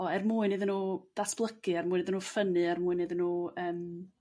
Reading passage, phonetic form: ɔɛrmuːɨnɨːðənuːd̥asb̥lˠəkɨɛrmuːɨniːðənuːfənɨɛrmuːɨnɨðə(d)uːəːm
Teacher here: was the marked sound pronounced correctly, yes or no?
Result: no